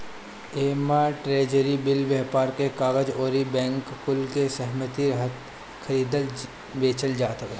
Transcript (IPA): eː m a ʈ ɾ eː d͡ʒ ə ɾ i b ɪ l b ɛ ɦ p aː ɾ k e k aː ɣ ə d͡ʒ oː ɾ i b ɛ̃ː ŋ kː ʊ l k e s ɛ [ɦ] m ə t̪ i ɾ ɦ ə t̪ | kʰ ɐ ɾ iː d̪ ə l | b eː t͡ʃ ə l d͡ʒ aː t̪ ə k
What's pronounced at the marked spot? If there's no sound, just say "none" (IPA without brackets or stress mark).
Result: ɦ